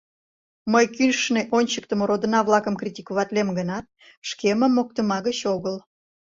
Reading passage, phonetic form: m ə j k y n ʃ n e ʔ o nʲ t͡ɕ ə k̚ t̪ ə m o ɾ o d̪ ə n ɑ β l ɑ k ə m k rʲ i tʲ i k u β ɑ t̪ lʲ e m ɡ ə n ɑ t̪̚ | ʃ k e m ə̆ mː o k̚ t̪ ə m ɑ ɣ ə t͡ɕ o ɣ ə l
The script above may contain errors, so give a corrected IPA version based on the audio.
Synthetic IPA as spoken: m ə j k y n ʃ n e ʔ o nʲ t͡ɕ ə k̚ t̪ ə m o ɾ o d̪ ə n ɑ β l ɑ k ə m k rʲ i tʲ i k u β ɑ t̪ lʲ e m ɡ ə n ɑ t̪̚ | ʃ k e m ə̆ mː o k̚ t̪ ə m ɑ ɣ ə t͡ɕ o ɣ ə l